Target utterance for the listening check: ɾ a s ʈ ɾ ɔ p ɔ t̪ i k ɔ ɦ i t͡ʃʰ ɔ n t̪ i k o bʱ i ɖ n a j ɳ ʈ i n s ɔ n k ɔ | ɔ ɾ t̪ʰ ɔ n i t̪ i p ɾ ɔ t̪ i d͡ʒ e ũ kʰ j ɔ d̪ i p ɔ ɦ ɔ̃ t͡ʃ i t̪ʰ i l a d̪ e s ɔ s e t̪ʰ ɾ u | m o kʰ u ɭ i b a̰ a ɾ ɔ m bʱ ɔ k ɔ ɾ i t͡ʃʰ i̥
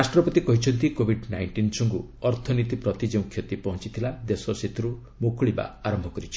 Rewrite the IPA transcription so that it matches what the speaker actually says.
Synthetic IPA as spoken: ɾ a s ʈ ɾ ɔ p ɔ t̪ i k ɔ ɦ i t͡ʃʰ ɔ n t̪ i k o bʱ i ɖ n a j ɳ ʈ i n s ɔ ŋ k u | ɔ ɾ t̪ʰ ɔ n i t̪ i p ɾ ɔ t̪ i d͡ʒ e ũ kʰ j ɔ t̪ i p ɔ ɦ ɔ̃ t͡ʃ i t̪ʰ i l a d̪ e s ɔ s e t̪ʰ ɾ u | m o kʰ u ɭ i b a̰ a ɾ ɔ m bʱ ɔ k ɔ ɾ i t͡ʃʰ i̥